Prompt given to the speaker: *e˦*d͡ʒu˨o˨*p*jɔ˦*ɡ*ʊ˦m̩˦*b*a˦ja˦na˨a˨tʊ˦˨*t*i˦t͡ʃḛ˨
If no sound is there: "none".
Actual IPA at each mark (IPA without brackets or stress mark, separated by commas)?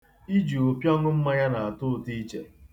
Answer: i˦, p, ŋ, m, t